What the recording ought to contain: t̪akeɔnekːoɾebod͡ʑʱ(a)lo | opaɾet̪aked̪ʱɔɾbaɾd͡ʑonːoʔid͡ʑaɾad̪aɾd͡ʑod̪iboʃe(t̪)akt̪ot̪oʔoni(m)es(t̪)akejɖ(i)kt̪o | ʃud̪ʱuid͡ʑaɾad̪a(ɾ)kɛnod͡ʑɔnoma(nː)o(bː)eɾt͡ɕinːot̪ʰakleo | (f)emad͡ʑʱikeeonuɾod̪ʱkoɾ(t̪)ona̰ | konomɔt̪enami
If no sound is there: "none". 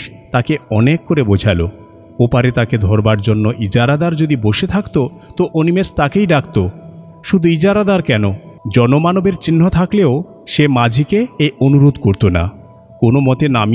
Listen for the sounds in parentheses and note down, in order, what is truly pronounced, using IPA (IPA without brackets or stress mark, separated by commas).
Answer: a, t̪ʰ, m, t̪, a, ɾ, n, b, ʃ, t̪